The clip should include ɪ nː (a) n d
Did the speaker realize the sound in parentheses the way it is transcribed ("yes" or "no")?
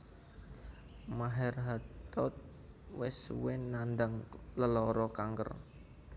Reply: yes